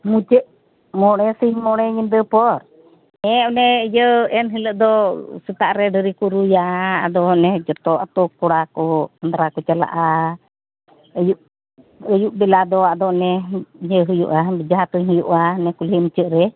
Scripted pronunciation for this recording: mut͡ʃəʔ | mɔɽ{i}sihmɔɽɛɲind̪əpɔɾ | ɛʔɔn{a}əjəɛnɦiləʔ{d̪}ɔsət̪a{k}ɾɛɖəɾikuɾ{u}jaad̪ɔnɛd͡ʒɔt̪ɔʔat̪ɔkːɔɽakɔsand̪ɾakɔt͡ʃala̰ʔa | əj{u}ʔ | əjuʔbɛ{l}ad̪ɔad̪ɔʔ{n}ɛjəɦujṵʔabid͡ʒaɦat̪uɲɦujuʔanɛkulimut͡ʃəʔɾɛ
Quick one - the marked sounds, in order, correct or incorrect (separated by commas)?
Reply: incorrect, incorrect, correct, incorrect, correct, correct, correct, correct